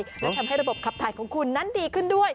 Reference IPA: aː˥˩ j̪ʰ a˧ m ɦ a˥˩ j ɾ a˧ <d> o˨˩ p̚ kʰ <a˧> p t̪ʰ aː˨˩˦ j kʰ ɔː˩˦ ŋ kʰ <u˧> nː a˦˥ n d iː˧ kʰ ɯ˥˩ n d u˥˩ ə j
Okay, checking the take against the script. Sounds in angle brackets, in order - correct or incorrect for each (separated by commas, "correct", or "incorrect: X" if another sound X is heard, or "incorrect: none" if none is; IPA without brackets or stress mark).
incorrect: b, incorrect: a˨˩, correct